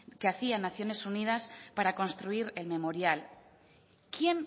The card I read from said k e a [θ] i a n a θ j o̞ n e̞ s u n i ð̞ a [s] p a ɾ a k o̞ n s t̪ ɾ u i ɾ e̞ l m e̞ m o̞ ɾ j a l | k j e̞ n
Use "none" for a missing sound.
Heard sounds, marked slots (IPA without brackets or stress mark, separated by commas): θ, s